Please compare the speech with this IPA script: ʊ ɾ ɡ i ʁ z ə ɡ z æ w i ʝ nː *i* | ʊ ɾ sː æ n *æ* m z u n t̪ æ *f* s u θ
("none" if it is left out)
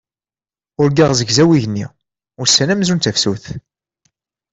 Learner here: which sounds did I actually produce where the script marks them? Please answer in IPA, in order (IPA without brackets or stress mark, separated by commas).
i, æ, f